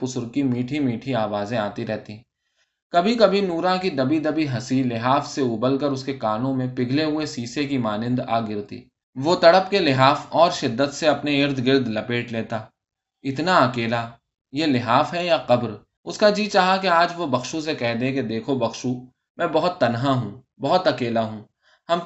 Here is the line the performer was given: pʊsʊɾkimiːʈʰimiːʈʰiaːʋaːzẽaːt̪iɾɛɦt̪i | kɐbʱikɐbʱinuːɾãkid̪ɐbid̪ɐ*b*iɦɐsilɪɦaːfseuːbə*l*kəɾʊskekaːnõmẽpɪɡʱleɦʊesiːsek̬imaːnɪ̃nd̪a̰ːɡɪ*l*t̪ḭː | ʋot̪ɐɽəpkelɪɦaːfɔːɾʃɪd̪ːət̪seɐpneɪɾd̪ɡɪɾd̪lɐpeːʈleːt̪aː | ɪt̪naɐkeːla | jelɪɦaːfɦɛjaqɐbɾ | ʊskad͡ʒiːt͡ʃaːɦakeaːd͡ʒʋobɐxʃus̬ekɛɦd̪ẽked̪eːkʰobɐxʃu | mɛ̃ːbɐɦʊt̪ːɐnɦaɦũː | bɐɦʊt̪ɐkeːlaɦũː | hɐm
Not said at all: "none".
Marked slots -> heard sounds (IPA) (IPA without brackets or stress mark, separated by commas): b, l, ɾ